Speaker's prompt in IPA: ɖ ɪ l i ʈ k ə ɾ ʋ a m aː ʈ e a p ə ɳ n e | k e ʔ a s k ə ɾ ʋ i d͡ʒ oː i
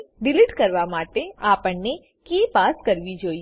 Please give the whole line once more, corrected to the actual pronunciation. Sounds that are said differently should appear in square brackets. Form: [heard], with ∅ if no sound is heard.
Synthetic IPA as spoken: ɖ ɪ l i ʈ k ə ɾ ʋ a m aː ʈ e a p ə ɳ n e | k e [p] a s k ə ɾ ʋ i d͡ʒ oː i